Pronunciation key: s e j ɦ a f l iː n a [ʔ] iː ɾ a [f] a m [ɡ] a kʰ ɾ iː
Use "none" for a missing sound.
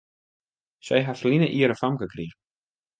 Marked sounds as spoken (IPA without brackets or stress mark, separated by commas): ʔ, f, k